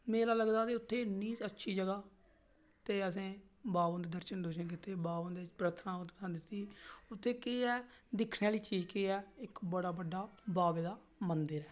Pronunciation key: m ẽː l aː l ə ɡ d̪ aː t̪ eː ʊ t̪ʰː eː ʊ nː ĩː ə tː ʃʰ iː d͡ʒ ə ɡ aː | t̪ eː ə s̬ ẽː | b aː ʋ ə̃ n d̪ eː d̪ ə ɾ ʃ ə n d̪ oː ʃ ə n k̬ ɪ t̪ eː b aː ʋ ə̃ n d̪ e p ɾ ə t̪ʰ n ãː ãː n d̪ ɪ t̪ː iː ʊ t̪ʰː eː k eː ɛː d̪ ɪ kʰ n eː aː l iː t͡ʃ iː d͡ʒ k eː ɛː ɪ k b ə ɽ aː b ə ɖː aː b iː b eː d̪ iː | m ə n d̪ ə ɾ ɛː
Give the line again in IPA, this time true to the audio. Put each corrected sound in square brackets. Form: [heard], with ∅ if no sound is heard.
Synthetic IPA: m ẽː l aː l ə ɡ d̪ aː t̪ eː ʊ t̪ʰː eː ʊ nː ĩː ə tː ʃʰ iː d͡ʒ ə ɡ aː | t̪ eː ə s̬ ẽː | b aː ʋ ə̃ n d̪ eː d̪ ə ɾ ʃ ə n d̪ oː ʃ ə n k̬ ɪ t̪ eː b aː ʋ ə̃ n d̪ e p ɾ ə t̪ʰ n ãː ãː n d̪ ɪ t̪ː iː ʊ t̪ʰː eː k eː ɛː d̪ ɪ kʰ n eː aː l iː t͡ʃ iː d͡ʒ k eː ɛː ɪ k b ə ɽ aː b ə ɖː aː b [aː] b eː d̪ [aː] | m ə n d̪ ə ɾ ɛː